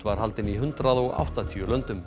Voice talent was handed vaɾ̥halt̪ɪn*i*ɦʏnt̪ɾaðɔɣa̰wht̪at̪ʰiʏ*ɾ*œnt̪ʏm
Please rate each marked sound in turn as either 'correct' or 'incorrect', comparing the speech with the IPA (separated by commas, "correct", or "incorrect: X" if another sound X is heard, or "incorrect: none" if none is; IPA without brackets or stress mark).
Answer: correct, incorrect: l